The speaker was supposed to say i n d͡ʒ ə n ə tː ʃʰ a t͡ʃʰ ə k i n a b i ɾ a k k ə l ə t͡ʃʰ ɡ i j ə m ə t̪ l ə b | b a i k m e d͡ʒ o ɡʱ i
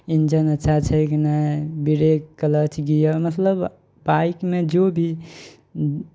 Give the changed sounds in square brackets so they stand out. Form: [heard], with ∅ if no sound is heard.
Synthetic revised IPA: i n d͡ʒ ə n ə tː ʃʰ a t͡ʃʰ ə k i n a b i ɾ [e] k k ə l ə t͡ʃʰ ɡ i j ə m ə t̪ l ə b | b a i k m e d͡ʒ o [bʱ] i